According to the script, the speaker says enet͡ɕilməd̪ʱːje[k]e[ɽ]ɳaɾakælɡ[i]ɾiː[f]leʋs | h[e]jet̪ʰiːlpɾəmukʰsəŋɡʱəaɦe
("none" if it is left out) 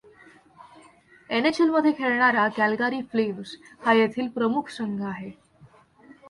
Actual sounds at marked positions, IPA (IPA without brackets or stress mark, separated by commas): kʰ, ɭ, a, f, a